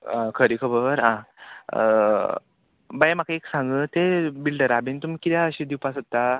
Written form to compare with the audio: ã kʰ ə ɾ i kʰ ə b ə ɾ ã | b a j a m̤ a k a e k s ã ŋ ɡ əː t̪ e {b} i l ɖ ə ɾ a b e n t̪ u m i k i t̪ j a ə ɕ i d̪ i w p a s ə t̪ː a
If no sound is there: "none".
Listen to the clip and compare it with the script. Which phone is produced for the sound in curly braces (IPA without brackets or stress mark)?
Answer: b